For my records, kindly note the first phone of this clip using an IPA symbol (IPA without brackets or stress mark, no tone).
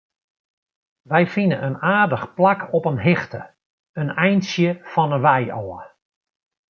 ʋ